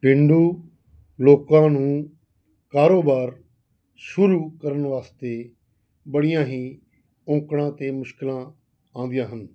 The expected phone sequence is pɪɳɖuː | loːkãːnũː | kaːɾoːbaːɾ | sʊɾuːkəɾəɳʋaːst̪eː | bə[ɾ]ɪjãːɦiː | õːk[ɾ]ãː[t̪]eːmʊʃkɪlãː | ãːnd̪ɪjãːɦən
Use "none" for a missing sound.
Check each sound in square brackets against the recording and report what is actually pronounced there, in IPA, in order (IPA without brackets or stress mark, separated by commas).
ɽ, ɽ, t̪